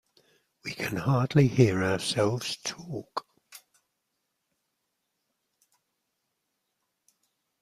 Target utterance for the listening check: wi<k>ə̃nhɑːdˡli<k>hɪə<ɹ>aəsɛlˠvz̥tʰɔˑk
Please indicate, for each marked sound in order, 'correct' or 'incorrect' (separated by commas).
incorrect, incorrect, correct